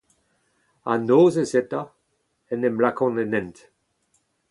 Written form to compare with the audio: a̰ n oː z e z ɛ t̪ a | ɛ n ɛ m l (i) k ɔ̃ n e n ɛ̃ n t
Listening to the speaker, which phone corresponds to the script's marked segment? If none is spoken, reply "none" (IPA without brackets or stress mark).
a